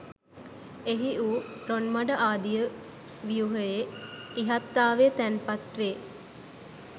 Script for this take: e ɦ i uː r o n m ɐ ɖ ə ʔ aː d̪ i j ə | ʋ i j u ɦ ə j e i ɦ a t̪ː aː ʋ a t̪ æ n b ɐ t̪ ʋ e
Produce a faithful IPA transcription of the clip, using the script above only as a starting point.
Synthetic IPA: e ɦ i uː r o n m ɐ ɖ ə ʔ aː d̪ i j ə | ʋ i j u ɦ ə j e i ɦ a t̪ː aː ʋ e t̪ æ n p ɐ t̪ ʋ e